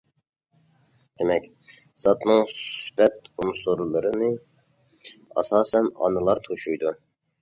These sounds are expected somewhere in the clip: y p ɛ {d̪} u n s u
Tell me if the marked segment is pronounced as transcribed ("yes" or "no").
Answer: no